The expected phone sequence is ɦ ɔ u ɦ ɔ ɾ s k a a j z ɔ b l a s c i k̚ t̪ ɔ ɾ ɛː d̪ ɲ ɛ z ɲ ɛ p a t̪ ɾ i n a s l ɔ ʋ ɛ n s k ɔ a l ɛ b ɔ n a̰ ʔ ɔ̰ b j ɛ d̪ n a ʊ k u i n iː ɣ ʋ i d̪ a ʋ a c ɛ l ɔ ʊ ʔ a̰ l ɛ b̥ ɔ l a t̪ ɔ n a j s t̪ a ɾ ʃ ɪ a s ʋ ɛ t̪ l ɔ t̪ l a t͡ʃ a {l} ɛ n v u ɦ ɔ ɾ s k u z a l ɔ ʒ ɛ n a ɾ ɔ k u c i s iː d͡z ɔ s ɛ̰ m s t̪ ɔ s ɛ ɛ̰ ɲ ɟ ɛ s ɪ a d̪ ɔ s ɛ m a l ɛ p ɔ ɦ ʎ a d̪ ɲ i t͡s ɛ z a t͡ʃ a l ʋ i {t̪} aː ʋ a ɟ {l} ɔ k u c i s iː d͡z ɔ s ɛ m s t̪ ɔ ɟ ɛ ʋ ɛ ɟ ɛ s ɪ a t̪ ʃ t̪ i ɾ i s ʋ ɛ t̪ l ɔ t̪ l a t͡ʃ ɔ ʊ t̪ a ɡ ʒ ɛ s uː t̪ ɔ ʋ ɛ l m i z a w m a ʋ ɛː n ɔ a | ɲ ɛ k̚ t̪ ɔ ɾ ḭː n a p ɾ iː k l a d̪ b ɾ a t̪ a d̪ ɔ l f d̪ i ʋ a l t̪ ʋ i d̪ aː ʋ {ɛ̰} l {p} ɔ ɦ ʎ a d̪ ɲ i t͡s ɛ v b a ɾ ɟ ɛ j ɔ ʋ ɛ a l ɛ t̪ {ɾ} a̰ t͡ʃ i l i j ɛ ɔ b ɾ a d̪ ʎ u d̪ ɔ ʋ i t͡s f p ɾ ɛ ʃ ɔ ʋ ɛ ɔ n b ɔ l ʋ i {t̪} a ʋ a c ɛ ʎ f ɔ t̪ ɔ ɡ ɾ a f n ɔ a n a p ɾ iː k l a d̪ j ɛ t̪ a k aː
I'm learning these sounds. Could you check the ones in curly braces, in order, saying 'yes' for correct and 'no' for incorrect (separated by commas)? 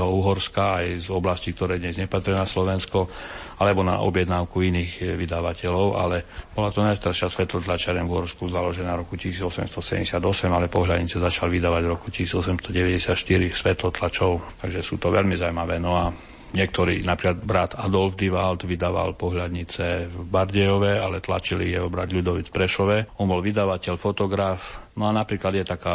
no, no, no, no, yes, no, no